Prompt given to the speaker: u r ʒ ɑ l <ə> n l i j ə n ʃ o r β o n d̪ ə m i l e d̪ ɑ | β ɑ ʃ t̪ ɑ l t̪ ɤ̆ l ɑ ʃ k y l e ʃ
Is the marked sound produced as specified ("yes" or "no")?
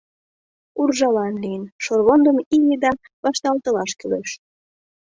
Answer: no